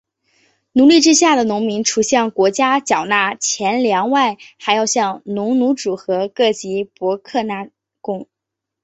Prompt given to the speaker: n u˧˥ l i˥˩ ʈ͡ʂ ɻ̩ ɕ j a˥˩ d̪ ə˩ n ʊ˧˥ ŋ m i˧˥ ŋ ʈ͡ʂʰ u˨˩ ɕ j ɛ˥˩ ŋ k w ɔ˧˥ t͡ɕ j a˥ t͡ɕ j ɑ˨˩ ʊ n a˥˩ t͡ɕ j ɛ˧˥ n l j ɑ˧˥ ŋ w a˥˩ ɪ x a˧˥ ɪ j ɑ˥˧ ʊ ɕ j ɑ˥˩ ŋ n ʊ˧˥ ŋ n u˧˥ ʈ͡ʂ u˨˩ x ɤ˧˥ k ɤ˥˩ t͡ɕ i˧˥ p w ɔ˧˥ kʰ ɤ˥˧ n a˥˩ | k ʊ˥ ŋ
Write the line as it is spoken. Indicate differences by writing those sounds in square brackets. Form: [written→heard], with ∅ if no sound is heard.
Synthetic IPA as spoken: n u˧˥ l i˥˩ ʈ͡ʂ ɻ̩ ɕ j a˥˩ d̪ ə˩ n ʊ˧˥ ŋ m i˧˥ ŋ ʈ͡ʂʰ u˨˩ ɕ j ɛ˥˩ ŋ k w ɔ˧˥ t͡ɕ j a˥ t͡ɕ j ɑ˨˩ ʊ n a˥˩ [t͡ɕ→t͡ɕʰ] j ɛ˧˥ n l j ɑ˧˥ ŋ w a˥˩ ɪ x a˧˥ ɪ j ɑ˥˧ ʊ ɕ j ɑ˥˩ ŋ n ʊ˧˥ ŋ n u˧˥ ʈ͡ʂ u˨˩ x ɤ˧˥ k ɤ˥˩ t͡ɕ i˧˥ p w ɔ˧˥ kʰ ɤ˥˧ n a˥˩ | k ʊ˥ ŋ